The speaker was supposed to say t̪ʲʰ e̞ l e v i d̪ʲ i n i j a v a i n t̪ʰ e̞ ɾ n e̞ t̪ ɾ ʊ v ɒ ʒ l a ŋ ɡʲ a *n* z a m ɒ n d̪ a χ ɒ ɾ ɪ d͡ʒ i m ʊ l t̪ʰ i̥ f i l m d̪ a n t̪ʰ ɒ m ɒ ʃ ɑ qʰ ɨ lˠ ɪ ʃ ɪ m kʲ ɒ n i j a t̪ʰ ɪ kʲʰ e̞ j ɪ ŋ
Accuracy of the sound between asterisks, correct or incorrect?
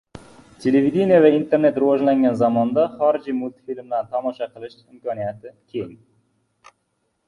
correct